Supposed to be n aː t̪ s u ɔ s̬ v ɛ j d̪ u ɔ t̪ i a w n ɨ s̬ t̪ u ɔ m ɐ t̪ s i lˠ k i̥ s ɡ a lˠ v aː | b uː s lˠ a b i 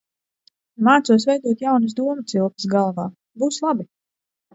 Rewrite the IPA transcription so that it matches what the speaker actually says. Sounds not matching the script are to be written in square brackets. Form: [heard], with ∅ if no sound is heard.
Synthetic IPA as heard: [m] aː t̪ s u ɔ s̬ v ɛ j d̪ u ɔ t̪ [j] a w n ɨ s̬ [d̪] u ɔ m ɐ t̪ s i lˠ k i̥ s ɡ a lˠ v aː | b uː s lˠ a b i